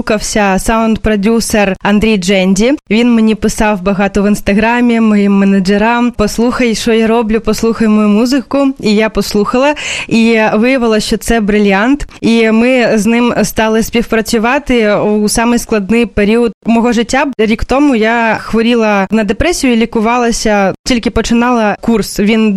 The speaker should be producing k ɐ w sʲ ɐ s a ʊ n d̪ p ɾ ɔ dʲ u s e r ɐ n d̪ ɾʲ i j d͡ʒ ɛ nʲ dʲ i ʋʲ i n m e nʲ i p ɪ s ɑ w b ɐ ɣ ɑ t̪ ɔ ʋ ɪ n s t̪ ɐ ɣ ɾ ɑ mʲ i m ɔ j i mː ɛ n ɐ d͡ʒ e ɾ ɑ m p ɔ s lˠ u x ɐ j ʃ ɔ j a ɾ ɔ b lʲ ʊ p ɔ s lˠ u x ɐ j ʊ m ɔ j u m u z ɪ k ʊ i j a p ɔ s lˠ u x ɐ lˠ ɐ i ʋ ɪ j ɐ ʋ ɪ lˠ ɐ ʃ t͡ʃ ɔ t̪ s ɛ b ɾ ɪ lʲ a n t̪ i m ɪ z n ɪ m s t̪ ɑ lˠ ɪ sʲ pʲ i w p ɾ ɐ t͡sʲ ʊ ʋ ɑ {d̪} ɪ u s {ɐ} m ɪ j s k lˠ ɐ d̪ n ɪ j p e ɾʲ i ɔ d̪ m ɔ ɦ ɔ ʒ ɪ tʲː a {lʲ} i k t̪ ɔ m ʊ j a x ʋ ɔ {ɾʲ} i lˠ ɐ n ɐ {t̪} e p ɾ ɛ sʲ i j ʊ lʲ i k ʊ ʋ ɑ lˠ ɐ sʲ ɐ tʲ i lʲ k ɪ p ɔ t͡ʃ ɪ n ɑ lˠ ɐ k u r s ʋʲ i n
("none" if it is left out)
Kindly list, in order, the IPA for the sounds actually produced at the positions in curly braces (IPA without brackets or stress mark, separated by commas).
t̪, ɑ, ɾʲ, ɾʲ, d̪